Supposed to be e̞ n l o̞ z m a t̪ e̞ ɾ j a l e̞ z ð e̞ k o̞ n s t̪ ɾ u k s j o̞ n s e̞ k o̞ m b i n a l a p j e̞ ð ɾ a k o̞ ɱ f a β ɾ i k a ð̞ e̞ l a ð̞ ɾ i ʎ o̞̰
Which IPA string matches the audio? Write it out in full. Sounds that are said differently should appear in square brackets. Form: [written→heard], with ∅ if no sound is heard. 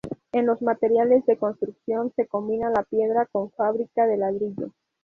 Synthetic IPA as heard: e̞ n l o̞ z m a t̪ e̞ ɾ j a l e̞ z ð e̞ k o̞ n s t̪ ɾ u k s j o̞ n s e̞ k o̞ m b i n a l a p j e̞ ð ɾ a k o̞ ɱ f a β ɾ i k a ð̞ e̞ l a ð̞ ɾ i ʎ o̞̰